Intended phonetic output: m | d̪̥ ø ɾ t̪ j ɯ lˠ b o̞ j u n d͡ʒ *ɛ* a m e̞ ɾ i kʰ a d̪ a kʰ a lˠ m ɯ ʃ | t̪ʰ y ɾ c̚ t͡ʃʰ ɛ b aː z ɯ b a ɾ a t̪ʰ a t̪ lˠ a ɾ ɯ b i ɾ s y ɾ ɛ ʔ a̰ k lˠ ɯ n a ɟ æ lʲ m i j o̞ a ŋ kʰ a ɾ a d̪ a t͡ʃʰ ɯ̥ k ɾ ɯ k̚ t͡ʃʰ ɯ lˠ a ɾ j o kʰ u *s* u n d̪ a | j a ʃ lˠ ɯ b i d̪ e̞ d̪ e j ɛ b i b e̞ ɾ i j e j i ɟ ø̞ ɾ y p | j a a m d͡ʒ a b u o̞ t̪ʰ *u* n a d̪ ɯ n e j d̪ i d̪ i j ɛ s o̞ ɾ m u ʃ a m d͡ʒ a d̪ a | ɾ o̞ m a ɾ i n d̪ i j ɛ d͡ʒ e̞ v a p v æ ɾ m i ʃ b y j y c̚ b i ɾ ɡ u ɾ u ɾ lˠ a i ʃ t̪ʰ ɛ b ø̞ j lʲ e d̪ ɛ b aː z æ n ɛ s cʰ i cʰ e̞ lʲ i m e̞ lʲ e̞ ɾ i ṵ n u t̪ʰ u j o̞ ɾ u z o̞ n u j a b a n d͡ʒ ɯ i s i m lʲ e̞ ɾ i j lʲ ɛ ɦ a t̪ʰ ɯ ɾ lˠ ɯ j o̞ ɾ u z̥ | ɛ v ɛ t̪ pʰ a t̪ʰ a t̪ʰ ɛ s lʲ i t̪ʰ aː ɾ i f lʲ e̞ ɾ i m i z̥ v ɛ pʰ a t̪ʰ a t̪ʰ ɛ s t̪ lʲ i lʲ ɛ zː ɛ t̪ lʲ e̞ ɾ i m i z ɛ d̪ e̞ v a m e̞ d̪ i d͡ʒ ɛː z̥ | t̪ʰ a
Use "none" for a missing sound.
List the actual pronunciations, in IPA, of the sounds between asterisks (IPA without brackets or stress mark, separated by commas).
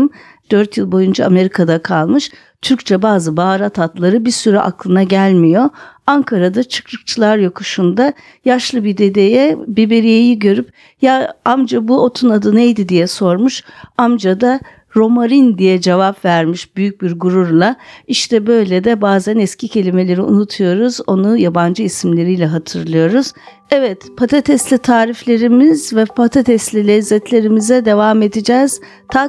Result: a, ʃ, u